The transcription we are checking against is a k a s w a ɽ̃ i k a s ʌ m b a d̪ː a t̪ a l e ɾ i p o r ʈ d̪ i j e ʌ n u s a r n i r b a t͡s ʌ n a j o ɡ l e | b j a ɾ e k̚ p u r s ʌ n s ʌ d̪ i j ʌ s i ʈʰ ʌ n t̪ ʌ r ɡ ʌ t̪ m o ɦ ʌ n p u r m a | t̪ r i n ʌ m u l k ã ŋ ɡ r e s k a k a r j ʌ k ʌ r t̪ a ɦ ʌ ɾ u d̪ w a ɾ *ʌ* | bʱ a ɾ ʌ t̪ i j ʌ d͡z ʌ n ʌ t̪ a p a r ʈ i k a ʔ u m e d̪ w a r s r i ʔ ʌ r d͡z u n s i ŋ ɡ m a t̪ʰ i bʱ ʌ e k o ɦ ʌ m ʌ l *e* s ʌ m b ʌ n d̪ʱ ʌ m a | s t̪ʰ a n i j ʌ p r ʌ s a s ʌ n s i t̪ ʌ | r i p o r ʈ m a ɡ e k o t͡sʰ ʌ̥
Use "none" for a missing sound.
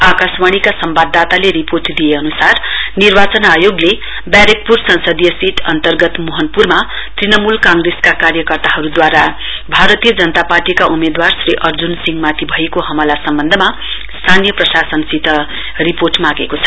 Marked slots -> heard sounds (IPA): a, a

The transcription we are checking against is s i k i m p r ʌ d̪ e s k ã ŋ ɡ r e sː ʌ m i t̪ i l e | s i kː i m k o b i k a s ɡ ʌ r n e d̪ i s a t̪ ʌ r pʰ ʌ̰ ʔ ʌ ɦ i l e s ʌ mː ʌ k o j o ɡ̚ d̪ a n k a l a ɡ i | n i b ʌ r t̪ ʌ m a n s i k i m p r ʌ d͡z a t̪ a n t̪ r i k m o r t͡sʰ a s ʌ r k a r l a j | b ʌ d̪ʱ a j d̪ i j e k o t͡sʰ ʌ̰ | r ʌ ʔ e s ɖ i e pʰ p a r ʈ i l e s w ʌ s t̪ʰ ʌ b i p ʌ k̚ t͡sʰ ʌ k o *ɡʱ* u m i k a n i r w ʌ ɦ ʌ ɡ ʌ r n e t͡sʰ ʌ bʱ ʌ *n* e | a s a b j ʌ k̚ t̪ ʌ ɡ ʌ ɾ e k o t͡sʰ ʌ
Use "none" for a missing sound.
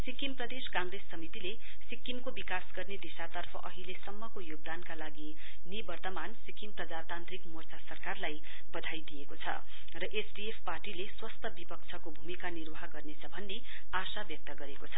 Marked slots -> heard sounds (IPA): bʱ, nː

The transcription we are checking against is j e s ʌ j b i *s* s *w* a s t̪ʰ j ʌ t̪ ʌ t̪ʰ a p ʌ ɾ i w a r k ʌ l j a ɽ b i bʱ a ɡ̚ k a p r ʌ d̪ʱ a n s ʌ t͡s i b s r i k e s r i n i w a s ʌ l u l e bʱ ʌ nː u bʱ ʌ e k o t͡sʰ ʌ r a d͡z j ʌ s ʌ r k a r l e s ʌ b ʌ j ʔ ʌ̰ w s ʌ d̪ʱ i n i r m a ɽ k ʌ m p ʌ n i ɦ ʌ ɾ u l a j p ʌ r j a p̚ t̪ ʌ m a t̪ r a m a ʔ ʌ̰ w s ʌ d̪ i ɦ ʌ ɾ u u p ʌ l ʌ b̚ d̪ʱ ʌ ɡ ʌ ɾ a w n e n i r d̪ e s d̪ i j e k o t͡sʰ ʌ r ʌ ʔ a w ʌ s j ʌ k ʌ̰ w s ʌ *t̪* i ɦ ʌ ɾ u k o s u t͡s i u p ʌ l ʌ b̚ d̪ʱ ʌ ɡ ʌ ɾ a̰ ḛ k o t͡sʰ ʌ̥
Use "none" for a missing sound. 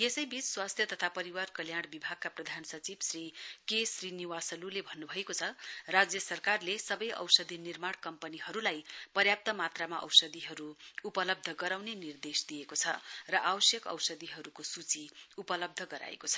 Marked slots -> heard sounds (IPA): t͡s, w, d̪

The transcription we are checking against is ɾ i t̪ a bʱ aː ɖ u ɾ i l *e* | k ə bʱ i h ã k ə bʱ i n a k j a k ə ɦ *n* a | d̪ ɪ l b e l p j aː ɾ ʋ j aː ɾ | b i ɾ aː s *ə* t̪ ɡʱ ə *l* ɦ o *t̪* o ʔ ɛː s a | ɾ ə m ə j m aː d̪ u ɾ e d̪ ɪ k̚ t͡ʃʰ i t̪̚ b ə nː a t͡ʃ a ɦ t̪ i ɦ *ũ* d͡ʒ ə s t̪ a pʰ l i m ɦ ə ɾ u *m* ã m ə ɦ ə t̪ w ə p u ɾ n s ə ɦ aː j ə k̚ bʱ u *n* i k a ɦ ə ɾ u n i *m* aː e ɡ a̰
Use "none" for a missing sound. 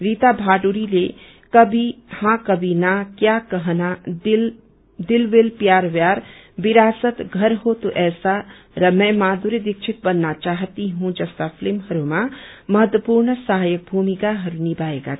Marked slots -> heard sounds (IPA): e, n, ə, ɾ, t̪, ũ, m, m, b

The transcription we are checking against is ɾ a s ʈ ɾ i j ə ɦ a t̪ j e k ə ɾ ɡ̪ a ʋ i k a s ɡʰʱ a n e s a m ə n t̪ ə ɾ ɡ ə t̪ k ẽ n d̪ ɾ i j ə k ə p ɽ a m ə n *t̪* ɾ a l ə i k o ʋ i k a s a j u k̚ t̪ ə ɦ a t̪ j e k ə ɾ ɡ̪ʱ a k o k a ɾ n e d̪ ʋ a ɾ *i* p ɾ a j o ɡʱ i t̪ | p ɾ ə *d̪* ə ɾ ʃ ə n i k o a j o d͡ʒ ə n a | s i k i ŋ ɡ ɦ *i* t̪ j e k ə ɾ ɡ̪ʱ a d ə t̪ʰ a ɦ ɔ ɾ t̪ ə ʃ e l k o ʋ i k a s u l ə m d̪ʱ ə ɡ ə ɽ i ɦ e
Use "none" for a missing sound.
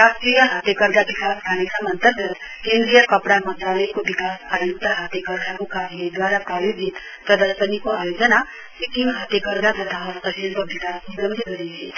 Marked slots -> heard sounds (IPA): t̪, a, d̪, a

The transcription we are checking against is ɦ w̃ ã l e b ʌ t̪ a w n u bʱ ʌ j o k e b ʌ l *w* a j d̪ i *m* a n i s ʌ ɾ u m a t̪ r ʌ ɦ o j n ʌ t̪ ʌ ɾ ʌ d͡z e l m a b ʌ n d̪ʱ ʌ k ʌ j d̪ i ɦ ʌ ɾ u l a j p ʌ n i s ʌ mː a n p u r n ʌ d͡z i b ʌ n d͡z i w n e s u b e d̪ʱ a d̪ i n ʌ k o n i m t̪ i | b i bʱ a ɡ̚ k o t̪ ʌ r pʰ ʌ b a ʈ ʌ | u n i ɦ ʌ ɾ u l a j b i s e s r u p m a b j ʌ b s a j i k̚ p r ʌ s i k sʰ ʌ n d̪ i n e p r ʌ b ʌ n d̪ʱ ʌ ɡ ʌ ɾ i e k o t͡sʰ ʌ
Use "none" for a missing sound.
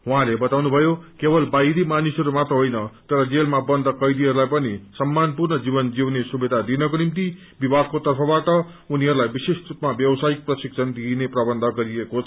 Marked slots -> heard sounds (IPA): b, m

